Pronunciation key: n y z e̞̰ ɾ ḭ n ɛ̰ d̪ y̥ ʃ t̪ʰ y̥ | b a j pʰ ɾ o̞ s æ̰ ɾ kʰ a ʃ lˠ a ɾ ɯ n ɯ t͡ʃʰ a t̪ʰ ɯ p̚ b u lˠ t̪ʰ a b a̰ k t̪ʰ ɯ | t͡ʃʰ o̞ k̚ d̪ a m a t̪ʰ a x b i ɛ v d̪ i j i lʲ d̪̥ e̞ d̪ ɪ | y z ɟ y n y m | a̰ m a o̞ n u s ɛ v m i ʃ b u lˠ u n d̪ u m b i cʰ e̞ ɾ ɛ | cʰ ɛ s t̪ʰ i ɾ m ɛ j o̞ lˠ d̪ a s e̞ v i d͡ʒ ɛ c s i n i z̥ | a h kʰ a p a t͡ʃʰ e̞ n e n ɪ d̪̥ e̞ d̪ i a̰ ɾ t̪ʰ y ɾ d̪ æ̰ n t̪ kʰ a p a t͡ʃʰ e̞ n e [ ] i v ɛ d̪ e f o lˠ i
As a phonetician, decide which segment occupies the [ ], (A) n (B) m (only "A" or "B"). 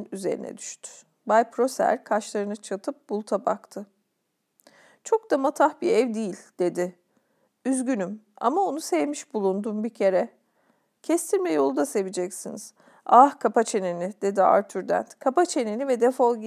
A